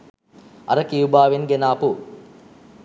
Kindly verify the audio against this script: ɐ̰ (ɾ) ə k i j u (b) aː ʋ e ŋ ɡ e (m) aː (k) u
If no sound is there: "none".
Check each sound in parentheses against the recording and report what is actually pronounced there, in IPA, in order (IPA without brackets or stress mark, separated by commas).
ɾ, b, n, p